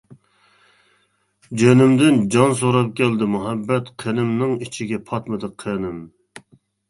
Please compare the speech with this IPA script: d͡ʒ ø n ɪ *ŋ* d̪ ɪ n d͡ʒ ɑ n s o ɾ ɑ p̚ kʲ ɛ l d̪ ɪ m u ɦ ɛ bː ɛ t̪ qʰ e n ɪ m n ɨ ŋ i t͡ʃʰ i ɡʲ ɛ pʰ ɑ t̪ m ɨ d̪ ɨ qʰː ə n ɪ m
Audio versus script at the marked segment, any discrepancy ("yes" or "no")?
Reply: yes